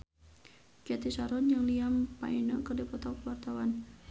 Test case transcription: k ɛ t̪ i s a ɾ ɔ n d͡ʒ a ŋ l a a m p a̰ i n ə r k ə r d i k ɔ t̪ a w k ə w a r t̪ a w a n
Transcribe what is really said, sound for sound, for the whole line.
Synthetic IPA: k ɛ t̪ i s a ɾ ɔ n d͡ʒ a ŋ l i a m p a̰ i n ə k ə r d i p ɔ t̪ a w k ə w a r t̪ a w a n